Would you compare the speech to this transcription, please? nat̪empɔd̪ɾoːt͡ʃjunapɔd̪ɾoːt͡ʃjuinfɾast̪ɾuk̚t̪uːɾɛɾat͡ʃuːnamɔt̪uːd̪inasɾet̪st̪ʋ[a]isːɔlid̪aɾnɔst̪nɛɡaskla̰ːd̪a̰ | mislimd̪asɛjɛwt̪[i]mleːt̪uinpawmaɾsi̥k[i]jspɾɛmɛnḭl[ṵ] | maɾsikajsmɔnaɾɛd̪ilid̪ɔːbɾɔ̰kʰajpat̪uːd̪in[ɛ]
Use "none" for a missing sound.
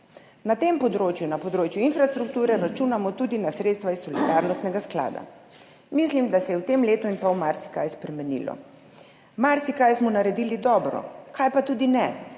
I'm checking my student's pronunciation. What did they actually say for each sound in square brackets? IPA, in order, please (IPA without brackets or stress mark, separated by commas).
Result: a, e, a, ɔ̰, ɛ